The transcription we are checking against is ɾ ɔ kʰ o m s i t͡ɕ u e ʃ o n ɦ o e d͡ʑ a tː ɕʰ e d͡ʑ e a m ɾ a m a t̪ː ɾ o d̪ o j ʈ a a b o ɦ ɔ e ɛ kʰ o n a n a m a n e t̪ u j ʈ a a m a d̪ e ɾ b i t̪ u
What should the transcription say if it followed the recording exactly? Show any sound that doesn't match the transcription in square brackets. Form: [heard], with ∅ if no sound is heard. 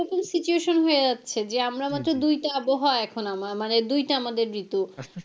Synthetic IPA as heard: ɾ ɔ [k] o m s i t͡ɕ u e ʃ o n ɦ o e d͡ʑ a tː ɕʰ e d͡ʑ e a m ɾ a m a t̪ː ɾ o d̪ [u] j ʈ a a b o ɦ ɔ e ɛ kʰ o n a [m] a m a n e [d̪] u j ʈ a a m a d̪ e ɾ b i t̪ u